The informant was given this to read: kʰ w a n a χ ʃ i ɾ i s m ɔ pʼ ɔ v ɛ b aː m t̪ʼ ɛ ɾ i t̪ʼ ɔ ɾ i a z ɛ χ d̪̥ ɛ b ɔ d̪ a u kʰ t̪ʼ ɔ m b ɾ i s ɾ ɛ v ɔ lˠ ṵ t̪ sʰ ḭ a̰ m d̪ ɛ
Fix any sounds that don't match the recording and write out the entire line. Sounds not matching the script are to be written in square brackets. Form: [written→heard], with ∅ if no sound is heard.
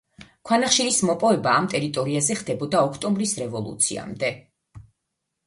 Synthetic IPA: kʰ w a n a χ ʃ i ɾ i s m ɔ pʼ ɔ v ɛ b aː m t̪ʼ ɛ ɾ i t̪ʼ ɔ ɾ i a z ɛ χ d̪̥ ɛ b ɔ d̪ a [u→ɔ] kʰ t̪ʼ ɔ m b ɾ i s ɾ ɛ v ɔ lˠ ṵ t̪ sʰ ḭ a̰ m d̪ ɛ